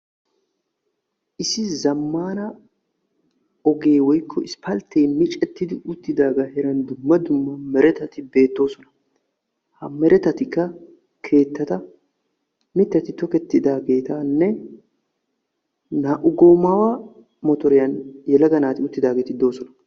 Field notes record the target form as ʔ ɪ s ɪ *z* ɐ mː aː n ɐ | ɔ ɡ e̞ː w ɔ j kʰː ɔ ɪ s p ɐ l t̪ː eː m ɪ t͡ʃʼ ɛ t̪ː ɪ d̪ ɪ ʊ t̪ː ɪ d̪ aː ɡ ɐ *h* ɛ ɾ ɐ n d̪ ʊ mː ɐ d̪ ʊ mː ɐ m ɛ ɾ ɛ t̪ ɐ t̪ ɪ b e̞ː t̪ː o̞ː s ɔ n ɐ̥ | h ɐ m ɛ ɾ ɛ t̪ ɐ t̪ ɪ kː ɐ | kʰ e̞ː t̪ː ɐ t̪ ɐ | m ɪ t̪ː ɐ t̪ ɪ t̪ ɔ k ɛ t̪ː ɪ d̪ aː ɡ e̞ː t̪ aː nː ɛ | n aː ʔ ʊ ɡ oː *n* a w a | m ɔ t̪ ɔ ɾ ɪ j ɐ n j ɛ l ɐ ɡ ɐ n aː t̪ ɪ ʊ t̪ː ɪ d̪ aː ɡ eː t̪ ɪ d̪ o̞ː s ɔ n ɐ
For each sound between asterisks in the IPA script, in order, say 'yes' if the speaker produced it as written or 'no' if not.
yes, yes, no

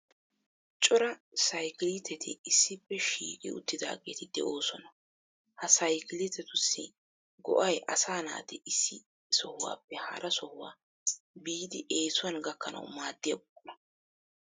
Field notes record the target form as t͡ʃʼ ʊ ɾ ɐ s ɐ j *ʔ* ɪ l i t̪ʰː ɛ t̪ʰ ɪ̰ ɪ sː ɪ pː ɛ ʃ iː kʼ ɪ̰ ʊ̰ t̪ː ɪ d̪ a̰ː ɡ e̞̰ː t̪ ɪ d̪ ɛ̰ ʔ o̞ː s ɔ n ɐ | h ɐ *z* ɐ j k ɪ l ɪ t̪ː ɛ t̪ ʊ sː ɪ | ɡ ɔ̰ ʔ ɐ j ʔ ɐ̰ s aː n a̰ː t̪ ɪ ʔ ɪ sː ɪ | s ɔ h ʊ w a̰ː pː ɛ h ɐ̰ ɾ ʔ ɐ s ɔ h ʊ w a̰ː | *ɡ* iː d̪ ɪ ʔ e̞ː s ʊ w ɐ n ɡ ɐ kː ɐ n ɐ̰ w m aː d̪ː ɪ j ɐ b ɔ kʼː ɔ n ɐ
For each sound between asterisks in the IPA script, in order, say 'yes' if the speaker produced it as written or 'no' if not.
no, no, no

